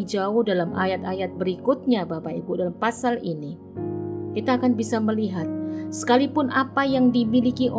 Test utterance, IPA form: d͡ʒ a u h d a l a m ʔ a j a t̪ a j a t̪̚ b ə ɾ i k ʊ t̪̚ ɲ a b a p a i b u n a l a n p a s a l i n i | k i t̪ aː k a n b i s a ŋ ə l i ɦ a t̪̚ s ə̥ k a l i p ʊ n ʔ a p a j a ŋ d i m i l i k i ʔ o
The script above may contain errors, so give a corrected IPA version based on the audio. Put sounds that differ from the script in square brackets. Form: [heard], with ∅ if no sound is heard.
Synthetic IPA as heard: d͡ʒ a [ʊ] h d a l a m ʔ a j a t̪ a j a t̪̚ b ə ɾ i k ʊ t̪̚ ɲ a b a p a i b u [d] a l a [m] p a s a l i n i | k i t̪ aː k a n b i s a [m] ə l i ɦ a t̪̚ s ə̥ k a l i p ʊ n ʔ a p a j a ŋ d i m i l i k i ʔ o